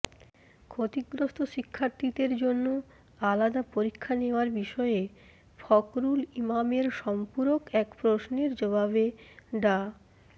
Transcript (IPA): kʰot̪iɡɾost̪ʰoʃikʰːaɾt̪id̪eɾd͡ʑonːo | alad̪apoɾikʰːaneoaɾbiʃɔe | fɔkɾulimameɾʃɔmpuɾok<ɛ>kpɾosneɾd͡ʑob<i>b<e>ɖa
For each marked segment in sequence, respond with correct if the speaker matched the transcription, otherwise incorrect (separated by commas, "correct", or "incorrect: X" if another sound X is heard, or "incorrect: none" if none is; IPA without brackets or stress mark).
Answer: correct, incorrect: a, correct